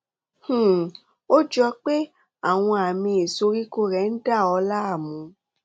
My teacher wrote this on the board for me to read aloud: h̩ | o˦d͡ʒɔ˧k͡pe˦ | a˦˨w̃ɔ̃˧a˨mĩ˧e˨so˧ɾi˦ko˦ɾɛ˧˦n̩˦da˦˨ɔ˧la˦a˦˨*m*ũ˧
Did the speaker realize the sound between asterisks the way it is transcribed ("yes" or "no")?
yes